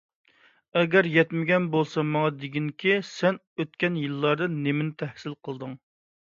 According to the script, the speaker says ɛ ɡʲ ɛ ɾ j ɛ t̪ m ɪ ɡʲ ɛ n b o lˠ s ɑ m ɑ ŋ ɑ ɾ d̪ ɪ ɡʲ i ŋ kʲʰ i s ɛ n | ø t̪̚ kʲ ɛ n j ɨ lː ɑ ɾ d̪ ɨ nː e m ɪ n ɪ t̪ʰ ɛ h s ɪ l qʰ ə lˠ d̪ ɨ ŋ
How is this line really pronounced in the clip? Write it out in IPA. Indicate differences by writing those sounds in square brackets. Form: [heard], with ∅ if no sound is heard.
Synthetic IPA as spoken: ɛ ɡʲ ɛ ɾ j ɛ t̪ m ɪ ɡʲ ɛ n b o lˠ s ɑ m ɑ ŋ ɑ [∅] d̪ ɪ ɡʲ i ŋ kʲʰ i s ɛ n | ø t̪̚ kʲ ɛ n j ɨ lː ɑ ɾ d̪ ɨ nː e m ɪ n ɪ t̪ʰ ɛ h s ɪ l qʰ ə lˠ d̪ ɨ ŋ